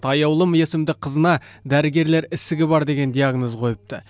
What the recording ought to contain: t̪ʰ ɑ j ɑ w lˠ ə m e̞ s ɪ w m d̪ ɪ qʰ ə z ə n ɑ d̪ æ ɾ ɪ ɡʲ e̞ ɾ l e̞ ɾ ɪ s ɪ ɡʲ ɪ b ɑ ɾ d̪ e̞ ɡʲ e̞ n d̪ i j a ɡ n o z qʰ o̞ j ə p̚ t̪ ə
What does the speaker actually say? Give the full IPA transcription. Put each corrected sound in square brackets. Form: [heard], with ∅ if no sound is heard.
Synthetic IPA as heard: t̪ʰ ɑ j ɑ w lˠ ə m e̞ s ɪ [∅] m d̪ ɪ qʰ ə z ə n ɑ d̪ æ ɾ ɪ ɡʲ e̞ ɾ l e̞ ɾ ɪ s ɪ ɡʲ ɪ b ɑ ɾ d̪ e̞ ɡʲ e̞ n d̪ i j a ɡ n o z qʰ o̞ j ə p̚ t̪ ə

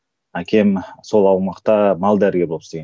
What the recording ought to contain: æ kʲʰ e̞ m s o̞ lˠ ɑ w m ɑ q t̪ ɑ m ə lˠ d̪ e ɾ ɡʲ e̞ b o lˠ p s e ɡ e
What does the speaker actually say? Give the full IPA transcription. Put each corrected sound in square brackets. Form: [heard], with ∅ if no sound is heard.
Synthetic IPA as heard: æ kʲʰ e̞ m s o̞ lˠ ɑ w m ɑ q t̪ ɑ m [ɑ] lˠ d̪ [æ] ɾ ɡʲ e̞ b o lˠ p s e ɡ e

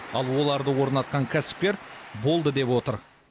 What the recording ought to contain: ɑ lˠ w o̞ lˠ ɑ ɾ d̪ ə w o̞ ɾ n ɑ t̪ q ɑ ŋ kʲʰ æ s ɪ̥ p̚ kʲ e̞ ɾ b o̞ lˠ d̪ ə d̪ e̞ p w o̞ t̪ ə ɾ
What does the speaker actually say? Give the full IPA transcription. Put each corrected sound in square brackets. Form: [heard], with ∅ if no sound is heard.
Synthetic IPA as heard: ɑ lˠ w o̞ lˠ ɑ ɾ d̪ ə w o̞ ɾ n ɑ t̪ q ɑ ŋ kʲʰ æ s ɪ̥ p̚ kʲ e̞ ɾ b o̞ lˠ d̪ ə d̪ e̞ p w o̞ t̪ ə ɾ

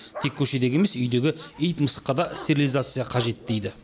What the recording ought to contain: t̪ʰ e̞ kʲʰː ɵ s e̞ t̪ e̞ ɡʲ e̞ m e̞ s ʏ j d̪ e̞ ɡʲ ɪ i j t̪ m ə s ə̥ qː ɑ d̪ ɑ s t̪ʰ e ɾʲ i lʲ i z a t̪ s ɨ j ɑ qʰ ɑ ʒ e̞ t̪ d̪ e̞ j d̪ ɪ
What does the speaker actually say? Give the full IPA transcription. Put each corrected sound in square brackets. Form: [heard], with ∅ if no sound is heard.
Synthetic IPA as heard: t̪ʰ e̞ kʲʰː ɵ [ʃ] e̞ [d̪] e̞ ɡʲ e̞ m e̞ s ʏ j d̪ e̞ ɡʲ ɪ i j t̪ m ə s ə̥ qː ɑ d̪ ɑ s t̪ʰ e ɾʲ i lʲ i z a t̪ s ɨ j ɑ qʰ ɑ ʒ e̞ t̪ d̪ e̞ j d̪ ɪ

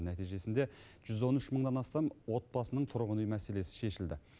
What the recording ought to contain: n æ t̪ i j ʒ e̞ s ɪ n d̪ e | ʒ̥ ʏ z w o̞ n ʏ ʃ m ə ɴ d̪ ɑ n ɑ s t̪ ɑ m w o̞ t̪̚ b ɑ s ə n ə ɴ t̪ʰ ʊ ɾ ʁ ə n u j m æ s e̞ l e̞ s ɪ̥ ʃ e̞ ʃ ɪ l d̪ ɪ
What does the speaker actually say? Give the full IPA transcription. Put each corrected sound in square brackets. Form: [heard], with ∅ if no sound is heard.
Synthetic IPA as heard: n æ t̪ i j ʒ e̞ s ɪ n d̪ e | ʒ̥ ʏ z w o̞ n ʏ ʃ m ə ɴ d̪ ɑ n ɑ s t̪ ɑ m w o̞ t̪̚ b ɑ s ə n ə ɴ t̪ʰ ʊ ɾ ʁ ə n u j m æ s e̞ l e̞ s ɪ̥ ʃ e̞ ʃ ɪ l d̪ ɪ

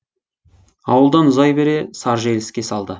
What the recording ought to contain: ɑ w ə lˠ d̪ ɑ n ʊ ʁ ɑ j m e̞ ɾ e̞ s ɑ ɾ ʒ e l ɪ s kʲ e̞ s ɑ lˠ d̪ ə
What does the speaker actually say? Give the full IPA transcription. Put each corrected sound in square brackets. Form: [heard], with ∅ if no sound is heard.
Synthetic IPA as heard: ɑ w ə lˠ d̪ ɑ n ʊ [z] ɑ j [b] e̞ ɾ e̞ s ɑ ɾ ʒ e l ɪ s kʲ e̞ s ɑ lˠ d̪ ə

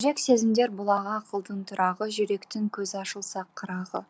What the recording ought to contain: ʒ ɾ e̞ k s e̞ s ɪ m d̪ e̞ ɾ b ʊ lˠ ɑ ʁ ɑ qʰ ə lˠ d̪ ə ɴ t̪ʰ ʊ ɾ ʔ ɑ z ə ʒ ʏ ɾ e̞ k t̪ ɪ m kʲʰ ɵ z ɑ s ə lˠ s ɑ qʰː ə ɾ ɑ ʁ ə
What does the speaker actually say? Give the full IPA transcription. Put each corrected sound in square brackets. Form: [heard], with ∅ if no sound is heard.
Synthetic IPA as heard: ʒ ɾ e̞ k s e̞ [z] ɪ m d̪ e̞ ɾ b ʊ lˠ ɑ ʁ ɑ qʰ ə lˠ d̪ ə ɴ t̪ʰ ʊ ɾ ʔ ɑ [ʁ] ə ʒ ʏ ɾ e̞ k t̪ ɪ [ŋ] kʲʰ ɵ z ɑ [ʃ] ə lˠ s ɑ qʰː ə ɾ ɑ ʁ ə

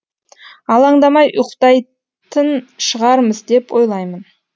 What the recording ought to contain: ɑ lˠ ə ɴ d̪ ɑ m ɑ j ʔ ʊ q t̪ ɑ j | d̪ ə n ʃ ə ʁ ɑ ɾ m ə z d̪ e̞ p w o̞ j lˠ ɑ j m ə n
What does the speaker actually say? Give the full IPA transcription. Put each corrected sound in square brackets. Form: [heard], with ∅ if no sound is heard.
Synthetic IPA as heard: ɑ lˠ [ɑ] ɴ d̪ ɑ m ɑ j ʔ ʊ q t̪ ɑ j | [t̪] ə n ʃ ə ʁ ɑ ɾ m ə z d̪ e̞ p w o̞ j lˠ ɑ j m ə n

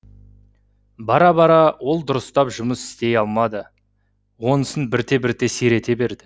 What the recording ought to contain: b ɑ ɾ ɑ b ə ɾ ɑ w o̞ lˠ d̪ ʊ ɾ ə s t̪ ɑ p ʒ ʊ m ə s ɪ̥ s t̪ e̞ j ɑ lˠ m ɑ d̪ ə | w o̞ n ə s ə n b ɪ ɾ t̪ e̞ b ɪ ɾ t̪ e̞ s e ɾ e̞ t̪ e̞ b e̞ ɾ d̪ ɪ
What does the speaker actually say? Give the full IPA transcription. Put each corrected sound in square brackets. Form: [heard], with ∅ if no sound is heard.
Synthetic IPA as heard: b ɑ ɾ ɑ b [ɑ] ɾ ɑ w o̞ lˠ d̪ ʊ ɾ ə s t̪ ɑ p ʒ ʊ m ə s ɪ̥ s t̪ e̞ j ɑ lˠ m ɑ d̪ ə | w o̞ n ə s ə n b ɪ ɾ t̪ e̞ b ɪ ɾ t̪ e̞ s e ɾ e̞ t̪ e̞ b e̞ ɾ d̪ ɪ

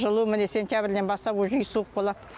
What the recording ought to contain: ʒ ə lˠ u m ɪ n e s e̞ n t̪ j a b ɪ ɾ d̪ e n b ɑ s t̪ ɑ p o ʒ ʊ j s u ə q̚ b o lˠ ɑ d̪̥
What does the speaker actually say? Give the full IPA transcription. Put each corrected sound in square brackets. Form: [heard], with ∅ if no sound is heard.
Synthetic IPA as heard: ʒ ə lˠ u m ɪ n e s e̞ n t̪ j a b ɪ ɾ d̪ e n b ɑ s t̪ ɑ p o ʒ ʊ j s u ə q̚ b o lˠ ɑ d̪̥

